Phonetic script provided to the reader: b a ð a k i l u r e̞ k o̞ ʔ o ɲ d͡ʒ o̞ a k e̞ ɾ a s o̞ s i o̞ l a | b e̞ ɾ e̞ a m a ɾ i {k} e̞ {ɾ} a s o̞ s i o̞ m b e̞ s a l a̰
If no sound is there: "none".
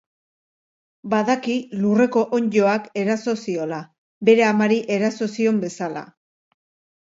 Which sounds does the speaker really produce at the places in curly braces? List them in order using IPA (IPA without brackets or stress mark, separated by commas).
ʔ, ɾ